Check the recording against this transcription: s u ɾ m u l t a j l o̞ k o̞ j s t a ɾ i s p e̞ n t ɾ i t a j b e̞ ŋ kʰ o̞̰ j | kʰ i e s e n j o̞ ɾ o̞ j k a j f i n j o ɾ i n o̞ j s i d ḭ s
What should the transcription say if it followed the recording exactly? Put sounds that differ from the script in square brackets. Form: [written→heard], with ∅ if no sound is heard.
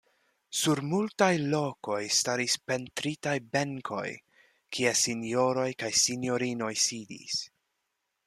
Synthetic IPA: s u ɾ m u l t a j l o̞ k o̞ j s t a ɾ i s p e̞ n t ɾ i t a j b e̞ ŋ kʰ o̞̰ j | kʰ i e s [e→i] n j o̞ ɾ o̞ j k a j [f→s] i n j o ɾ i n o̞ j s i d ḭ s